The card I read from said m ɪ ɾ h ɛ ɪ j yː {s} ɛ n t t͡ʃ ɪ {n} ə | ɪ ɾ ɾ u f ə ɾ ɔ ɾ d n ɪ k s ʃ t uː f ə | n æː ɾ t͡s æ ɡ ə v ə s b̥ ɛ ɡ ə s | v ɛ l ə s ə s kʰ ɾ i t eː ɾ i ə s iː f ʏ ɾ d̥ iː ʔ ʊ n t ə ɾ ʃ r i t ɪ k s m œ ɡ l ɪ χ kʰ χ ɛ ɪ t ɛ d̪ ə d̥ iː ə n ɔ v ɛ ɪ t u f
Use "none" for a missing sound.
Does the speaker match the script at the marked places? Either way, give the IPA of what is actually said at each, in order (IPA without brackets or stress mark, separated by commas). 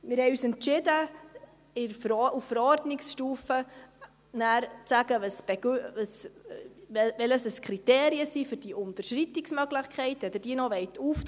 s, d